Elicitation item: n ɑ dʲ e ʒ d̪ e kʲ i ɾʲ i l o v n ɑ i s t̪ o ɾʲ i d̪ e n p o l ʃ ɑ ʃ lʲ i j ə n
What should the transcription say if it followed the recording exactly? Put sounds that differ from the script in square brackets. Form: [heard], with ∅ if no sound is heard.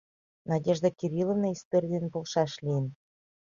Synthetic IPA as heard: n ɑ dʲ e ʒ d̪ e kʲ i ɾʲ i l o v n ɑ i s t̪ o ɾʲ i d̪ e n p o l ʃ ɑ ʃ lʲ i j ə n